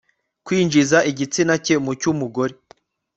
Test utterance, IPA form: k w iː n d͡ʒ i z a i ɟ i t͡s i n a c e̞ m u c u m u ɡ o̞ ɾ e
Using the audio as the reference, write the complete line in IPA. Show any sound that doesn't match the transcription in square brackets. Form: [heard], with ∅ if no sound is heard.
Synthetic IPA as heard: k w iː n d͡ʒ i z a i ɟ i t͡s i n a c e̞ m u c u m u ɡ o̞ ɾ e

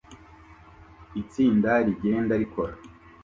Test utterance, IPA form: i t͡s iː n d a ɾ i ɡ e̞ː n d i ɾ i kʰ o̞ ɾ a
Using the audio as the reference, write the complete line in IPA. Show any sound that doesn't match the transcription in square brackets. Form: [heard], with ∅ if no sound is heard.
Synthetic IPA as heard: i t͡s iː n d a ɾ i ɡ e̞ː n d [a] ɾ i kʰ o̞ ɾ a

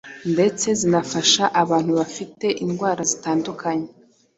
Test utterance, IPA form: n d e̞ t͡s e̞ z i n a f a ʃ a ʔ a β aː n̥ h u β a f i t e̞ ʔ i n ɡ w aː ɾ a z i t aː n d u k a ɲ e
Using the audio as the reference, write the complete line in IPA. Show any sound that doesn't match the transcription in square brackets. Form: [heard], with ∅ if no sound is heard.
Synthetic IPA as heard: n d e̞ t͡s e̞ z i n a f a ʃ a ʔ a β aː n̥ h u β a f i t e̞ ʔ i n ɡ w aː ɾ a z i t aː n d u k a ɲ e

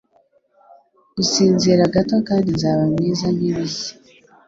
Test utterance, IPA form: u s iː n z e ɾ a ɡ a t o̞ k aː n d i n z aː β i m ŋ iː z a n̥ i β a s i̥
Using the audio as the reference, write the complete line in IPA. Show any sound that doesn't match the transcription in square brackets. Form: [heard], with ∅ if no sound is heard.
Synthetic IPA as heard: u s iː n z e ɾ a ɡ a t o̞ k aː n d i n z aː β [a] m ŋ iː z a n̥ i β [i] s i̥

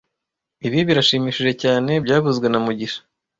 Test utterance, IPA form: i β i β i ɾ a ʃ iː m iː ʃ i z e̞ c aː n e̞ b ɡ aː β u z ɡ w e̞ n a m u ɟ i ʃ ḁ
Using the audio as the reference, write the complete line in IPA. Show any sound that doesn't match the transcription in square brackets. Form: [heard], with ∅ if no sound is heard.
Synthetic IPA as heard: i β i β i ɾ a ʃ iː m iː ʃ i [ʒ] e̞ c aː n e̞ b [ɟ] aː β u z ɡ w e̞ n a m u ɟ i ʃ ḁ

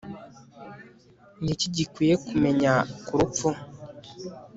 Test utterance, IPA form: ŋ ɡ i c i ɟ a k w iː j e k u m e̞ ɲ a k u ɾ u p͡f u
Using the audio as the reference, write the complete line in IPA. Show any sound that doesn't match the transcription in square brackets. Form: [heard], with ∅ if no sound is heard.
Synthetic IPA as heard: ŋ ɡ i c i ɟ [i] k w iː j e k u m e̞ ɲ a k u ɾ u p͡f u

